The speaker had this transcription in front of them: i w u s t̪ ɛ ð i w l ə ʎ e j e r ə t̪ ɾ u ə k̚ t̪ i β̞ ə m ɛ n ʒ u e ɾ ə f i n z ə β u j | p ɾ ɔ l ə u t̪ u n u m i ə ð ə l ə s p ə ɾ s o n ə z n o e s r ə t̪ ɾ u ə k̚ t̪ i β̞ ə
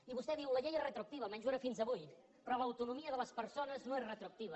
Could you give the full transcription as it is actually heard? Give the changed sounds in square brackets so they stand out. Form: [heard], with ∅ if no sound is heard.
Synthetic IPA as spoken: i [β] u s t̪ ɛ ð i w l ə ʎ e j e r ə t̪ ɾ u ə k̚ t̪ i β̞ ə m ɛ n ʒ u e ɾ ə f i n z ə β u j | p ɾ ɔ l ə [w] t̪ u n u m i ə ð ə l ə s p ə ɾ s o n ə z n o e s r ə t̪ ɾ u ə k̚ t̪ i β̞ ə